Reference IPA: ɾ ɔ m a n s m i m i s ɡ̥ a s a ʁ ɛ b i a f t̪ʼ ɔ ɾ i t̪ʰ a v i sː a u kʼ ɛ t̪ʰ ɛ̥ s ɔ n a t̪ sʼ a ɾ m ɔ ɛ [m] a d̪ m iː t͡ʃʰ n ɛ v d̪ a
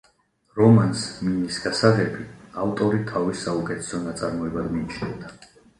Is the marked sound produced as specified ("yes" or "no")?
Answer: no